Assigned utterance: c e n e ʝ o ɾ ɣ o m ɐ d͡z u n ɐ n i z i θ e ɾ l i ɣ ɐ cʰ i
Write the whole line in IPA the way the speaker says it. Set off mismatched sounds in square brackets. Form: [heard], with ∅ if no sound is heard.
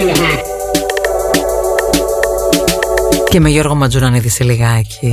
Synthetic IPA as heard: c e [m] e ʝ o ɾ ɣ o m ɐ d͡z u n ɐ n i [ð] i [s] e [∅] l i ɣ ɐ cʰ i